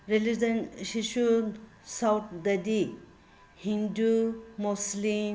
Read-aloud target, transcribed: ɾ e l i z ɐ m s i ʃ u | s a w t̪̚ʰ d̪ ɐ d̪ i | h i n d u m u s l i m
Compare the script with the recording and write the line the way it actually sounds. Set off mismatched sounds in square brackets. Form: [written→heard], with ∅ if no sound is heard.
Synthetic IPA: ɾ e l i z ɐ [m→n] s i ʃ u | s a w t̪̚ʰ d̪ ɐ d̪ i | h i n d u m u s l i m